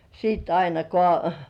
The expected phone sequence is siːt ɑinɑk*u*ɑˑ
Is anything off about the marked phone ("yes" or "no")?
yes